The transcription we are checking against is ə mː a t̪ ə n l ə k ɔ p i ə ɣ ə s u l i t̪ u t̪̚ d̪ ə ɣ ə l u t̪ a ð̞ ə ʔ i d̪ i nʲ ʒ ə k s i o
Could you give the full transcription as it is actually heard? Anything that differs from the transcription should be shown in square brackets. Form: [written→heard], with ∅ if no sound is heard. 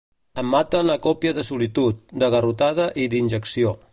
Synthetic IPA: ə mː a t̪ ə n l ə k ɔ p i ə [ɣ→ð] ə s u l i t̪ u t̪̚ d̪ ə ɣ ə [l→r] u t̪ a ð̞ ə ʔ i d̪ i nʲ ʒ ə k s i o